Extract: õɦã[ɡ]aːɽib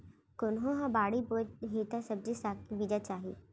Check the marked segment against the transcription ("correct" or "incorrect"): incorrect